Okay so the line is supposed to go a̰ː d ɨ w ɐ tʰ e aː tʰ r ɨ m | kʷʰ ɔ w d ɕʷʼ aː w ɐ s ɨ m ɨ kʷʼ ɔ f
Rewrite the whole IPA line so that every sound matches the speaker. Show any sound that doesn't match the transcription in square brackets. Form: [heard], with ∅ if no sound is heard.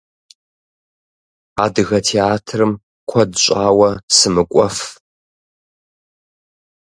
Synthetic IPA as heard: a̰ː d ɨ [ɣ] ɐ tʰ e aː tʰ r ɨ m | kʷʰ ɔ [∅] d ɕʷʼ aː w ɐ s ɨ m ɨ kʷʼ ɔ f